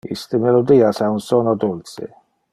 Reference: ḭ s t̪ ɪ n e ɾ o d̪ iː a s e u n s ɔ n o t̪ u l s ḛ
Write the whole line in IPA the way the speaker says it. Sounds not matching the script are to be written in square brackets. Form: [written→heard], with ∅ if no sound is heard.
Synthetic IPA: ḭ s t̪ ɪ [n→m] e [ɾ→l] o d̪ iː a s [e→a] u n s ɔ n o [t̪→d̪] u l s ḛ